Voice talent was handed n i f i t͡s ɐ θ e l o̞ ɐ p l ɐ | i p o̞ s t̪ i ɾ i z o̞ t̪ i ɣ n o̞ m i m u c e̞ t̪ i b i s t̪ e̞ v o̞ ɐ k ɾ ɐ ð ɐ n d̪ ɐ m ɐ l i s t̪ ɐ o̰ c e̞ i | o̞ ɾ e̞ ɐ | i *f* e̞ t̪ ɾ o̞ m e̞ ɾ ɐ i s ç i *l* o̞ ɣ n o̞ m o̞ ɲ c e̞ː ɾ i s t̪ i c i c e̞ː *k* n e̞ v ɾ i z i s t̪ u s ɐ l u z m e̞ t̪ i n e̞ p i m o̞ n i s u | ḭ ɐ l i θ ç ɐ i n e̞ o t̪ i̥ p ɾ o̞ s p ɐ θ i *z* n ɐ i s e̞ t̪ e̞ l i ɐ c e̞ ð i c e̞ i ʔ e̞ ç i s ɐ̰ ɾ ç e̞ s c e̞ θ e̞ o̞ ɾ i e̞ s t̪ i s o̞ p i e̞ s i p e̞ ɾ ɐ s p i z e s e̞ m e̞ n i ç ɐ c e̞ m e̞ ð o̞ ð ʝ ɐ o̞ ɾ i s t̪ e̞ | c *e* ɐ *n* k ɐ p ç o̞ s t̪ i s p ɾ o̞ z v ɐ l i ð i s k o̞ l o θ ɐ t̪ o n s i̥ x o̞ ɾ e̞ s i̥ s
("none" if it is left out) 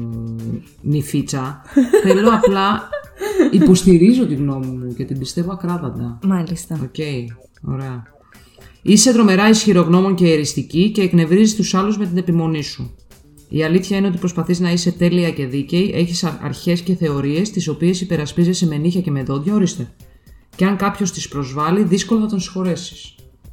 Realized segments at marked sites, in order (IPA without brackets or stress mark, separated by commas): s, ɾ, k, z, e, ŋ